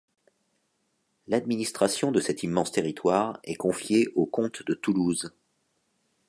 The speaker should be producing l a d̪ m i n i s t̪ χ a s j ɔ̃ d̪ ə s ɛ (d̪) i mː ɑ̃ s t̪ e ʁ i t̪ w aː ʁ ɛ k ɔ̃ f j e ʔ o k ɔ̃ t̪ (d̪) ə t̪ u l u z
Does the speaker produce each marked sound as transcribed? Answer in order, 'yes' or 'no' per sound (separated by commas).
no, yes